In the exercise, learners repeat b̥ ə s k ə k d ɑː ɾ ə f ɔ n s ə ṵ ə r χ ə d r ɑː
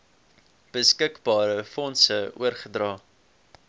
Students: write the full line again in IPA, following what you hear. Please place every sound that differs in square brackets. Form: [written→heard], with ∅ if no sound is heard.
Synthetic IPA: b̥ ə s k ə k [d→b] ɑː ɾ ə f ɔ n s ə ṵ ə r χ ə d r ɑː